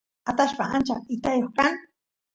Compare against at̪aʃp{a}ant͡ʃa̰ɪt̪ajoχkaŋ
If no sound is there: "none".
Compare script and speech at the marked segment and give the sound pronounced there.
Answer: a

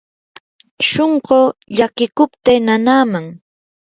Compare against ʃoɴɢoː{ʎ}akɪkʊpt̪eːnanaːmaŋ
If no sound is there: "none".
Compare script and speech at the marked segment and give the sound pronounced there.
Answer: ʎ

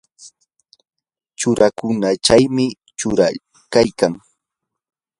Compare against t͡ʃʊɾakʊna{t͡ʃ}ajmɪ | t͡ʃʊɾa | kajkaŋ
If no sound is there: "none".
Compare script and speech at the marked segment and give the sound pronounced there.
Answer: t͡ʃ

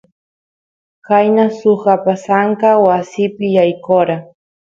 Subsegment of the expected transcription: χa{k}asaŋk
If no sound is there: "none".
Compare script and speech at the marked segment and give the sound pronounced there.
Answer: p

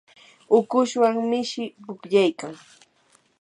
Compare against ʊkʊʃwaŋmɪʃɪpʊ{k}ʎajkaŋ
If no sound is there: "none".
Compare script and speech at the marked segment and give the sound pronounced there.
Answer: k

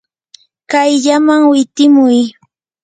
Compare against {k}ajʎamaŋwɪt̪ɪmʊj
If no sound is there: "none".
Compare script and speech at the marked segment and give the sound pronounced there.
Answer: k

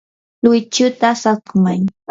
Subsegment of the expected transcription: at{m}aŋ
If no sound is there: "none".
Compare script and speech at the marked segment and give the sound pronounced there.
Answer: m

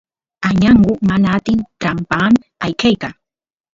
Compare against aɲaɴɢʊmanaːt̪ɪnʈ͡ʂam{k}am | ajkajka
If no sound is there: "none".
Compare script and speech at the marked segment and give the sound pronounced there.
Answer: p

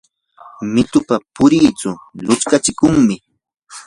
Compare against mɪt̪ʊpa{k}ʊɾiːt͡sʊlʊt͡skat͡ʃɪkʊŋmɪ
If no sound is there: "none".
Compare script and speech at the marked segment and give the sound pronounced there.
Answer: p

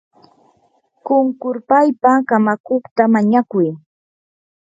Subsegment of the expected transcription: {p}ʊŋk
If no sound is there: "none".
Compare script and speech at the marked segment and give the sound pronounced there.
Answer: k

